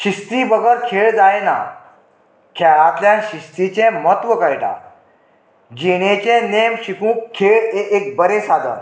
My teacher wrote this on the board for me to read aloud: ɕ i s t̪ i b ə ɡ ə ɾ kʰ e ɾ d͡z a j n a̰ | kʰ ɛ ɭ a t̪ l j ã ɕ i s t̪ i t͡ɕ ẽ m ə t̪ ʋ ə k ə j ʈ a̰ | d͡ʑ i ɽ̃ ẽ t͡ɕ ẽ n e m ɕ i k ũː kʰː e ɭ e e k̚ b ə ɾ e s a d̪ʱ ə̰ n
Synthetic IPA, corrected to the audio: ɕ i s t̪ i b ə ɡ ə ɾ kʰ e ɭ d͡z a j n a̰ | kʰ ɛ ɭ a t̪ l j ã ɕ i s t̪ i t͡ɕ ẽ m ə t̪ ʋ ə k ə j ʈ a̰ | d͡ʑ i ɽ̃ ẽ t͡ɕ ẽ n e m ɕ i k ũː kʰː e ɭ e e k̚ b ə ɾ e s a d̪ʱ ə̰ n